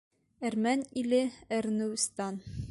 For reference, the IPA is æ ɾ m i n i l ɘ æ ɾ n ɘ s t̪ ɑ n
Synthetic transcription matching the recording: æ ɾ m æ n i l ɘ æ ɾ n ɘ s t̪ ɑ n